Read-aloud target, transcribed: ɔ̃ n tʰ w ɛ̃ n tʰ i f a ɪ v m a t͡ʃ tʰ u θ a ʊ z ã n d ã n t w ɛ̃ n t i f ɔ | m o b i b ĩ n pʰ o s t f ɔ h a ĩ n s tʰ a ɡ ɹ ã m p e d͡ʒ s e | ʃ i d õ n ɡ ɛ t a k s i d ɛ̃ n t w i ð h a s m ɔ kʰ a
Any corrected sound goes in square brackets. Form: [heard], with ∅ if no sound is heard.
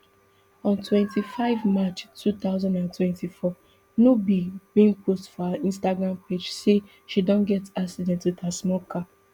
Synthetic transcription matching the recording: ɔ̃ n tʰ w ɛ̃ n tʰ i f a ɪ v m a t͡ʃ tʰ u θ a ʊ z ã n d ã n t w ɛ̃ n t i f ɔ | [n] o b i b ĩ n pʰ o s t f ɔ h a ĩ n s [t] a ɡ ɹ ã m p e d͡ʒ s e | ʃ i d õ n ɡ ɛ t a k s i d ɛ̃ n t w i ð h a s m ɔ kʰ a